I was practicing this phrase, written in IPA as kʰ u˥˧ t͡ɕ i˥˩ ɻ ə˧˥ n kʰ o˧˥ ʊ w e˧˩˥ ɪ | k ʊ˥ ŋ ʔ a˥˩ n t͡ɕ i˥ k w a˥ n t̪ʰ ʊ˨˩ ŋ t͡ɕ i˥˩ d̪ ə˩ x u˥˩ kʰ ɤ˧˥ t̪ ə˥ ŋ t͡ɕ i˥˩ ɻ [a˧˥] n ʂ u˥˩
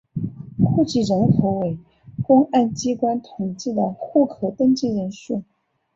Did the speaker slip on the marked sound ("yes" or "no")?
yes